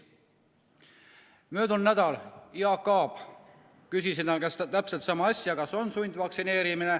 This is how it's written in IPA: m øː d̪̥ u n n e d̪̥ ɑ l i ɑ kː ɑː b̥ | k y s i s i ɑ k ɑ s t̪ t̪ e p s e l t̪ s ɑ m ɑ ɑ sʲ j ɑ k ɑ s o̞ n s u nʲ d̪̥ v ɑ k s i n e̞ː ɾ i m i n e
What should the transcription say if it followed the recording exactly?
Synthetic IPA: m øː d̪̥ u n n æ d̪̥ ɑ l i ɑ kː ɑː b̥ | k y s i s i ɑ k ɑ s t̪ t̪ æ p s e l t̪ s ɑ m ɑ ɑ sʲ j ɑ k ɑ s o̞ n s u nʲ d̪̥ v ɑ k s i n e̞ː ɾ i m i n e